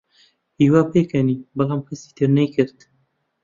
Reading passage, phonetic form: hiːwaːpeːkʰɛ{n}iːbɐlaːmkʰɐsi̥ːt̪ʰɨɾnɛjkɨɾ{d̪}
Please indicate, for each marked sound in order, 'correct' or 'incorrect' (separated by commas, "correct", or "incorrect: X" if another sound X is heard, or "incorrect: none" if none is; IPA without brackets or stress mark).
correct, incorrect: t̪